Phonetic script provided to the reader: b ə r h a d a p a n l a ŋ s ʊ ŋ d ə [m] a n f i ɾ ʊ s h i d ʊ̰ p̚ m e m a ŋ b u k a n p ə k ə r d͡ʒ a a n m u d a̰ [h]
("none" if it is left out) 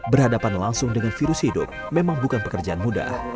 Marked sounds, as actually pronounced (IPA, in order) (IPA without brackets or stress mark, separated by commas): ŋ, h